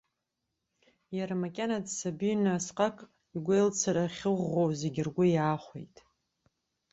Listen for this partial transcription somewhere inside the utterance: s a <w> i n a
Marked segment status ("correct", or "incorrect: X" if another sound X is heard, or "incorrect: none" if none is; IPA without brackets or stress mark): incorrect: b